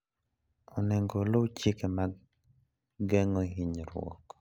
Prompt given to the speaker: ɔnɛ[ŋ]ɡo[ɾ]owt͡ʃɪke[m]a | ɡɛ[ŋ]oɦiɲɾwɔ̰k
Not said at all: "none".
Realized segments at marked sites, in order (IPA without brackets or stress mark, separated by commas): ŋ, l, m, ŋ